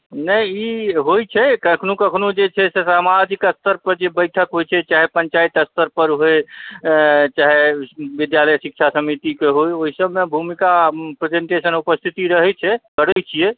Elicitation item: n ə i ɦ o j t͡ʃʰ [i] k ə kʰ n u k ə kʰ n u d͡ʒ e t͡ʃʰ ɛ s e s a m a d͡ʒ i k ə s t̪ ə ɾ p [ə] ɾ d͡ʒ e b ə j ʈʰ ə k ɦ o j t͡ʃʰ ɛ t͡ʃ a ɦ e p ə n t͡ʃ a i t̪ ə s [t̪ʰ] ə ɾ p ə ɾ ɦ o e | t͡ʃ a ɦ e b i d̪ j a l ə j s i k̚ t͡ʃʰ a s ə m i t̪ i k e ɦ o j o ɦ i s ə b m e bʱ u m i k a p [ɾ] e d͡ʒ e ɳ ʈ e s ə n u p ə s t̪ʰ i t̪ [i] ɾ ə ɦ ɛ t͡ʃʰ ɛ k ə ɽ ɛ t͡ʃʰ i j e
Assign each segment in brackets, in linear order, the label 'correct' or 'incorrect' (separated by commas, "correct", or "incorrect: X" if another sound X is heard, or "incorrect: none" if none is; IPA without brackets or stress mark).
incorrect: ɛ, correct, incorrect: t̪, correct, correct